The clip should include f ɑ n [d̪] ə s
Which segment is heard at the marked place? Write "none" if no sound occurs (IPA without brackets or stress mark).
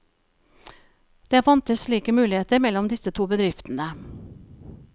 t̪